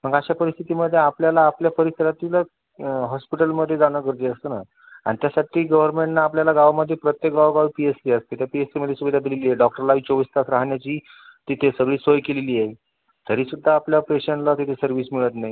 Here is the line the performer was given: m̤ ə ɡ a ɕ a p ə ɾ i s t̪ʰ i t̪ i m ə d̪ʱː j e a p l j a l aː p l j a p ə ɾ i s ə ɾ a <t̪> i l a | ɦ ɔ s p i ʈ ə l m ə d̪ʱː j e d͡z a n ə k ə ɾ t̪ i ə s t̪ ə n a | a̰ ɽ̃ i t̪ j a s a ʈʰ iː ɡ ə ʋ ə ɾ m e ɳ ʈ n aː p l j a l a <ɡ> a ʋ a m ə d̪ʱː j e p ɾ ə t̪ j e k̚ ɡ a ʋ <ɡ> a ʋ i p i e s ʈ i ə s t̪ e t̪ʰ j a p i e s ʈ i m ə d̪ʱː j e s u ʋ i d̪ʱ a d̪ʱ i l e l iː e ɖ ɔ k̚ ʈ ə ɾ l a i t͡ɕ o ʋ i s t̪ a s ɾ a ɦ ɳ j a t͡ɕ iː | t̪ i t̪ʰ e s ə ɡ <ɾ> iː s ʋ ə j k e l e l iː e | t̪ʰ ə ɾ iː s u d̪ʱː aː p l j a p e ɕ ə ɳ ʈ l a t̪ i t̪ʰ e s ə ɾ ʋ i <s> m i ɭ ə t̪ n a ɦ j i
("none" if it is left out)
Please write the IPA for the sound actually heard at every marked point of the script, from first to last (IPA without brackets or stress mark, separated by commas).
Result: t̪, ɡ, ɡ, ɭ, s